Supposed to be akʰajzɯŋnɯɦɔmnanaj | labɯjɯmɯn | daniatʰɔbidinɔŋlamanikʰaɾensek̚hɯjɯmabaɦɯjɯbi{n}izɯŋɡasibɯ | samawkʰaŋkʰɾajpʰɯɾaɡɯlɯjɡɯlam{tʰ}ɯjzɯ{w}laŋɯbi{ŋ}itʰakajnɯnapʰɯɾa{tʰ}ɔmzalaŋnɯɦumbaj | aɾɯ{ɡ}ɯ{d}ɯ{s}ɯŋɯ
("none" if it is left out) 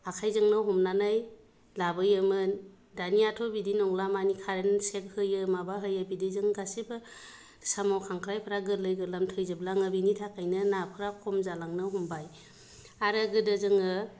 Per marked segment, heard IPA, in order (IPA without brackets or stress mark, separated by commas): d, tʰ, b, n, kʰ, ɡ, d, z